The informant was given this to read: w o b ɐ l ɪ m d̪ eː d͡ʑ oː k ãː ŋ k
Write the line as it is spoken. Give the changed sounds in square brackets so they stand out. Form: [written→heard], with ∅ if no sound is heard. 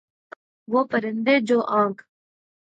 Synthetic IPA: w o [b→p] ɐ [l→ɾ] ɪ [m→n] d̪ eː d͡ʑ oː [k→ʔ] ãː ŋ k